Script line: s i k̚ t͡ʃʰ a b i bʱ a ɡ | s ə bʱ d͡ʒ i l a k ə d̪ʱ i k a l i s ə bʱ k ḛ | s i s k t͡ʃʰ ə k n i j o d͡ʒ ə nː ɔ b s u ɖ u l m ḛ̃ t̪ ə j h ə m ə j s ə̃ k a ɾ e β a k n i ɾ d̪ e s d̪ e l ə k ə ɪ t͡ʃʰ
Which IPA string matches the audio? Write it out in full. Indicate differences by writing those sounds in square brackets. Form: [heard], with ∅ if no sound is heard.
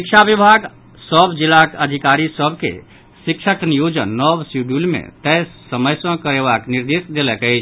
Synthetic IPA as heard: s i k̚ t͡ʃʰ a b i bʱ a ɡ | s ə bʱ d͡ʒ i l a k ə d̪ʱ i k a [ɾ] i s ə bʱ k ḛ | s i [∅] k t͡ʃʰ ə k n i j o d͡ʒ ə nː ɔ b s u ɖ u l m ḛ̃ t̪ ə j [s] ə m ə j s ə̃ k [ə] ɾ e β a k n i ɾ d̪ e s d̪ e l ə k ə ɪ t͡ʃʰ